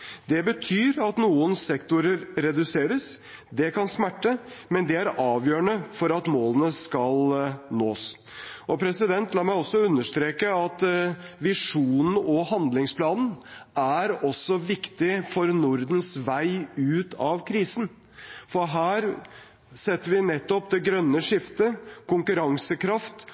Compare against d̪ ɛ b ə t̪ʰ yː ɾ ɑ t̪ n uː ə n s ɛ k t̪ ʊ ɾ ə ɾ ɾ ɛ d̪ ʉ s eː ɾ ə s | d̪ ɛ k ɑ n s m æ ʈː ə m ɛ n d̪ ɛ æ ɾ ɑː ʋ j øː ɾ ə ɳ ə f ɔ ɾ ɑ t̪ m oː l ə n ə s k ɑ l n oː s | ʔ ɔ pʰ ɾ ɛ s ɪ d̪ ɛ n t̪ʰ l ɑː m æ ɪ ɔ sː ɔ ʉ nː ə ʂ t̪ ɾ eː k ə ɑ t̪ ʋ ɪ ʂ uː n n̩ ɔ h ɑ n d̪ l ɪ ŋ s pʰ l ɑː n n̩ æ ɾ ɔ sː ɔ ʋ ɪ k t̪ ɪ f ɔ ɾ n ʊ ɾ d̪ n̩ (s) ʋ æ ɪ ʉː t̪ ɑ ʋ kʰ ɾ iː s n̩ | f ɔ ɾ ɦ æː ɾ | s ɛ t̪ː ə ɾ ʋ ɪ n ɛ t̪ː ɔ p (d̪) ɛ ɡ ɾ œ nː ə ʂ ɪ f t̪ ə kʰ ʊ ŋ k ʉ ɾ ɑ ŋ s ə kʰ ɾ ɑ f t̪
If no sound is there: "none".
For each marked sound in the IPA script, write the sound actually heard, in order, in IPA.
s, d̪

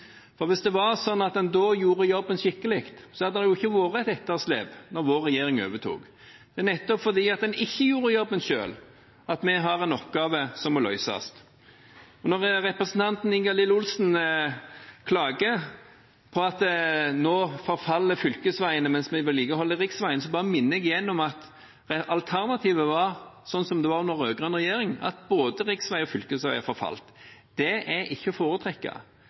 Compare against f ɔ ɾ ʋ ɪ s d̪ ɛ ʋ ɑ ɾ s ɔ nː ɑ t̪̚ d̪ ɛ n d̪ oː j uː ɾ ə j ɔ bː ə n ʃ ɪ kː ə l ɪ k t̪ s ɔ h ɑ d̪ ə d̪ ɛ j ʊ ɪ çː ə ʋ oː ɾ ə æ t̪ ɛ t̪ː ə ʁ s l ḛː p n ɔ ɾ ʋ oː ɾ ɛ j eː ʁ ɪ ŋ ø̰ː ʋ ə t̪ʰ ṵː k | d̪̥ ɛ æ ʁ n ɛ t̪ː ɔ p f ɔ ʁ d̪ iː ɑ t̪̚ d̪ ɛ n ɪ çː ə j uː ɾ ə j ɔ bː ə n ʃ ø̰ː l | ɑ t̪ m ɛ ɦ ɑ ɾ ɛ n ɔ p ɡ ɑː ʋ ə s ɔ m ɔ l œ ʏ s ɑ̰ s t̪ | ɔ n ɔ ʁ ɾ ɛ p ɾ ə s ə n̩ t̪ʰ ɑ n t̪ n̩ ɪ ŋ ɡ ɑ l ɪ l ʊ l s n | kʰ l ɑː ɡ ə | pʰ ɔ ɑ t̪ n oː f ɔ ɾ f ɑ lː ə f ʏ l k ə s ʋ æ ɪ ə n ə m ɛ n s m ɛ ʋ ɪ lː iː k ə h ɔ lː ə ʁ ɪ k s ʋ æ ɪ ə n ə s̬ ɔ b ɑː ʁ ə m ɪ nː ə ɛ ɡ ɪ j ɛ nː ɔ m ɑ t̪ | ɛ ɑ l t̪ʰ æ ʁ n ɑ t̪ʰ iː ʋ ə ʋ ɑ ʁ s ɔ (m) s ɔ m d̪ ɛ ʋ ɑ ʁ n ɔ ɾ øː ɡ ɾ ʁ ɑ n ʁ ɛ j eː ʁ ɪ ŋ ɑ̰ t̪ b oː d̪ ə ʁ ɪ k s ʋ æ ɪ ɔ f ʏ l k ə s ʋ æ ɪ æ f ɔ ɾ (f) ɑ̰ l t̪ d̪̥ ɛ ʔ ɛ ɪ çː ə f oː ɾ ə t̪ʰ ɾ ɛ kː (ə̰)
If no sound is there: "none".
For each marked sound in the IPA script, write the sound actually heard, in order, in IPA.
n, f, ɑ̰

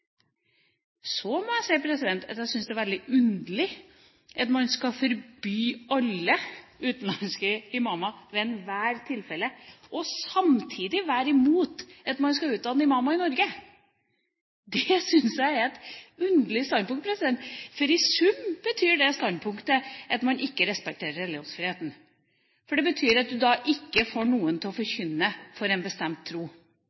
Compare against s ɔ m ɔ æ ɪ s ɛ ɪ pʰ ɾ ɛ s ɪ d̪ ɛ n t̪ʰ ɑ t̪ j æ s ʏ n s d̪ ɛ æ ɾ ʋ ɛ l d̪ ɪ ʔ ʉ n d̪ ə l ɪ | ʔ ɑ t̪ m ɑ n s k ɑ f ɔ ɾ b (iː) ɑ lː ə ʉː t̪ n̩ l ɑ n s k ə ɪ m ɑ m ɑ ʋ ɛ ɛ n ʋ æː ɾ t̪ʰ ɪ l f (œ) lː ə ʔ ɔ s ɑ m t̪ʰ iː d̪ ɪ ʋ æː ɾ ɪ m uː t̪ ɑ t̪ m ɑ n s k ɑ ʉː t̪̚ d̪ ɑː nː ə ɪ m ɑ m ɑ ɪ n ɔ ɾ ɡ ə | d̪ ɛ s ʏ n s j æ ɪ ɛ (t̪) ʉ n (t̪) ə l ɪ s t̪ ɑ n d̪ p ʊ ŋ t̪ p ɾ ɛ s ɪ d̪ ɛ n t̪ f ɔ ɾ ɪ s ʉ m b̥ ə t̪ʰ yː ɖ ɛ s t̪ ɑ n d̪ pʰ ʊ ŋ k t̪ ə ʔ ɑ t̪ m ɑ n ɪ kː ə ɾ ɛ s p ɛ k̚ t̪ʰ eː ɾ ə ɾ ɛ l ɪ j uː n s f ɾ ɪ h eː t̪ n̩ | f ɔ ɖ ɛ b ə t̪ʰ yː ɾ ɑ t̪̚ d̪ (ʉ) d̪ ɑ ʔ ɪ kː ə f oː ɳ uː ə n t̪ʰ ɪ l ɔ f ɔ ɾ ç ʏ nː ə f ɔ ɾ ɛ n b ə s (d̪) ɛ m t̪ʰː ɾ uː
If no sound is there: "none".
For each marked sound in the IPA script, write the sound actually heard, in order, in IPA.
yː, ɛ, t̪, d̪, ʉ, t̪

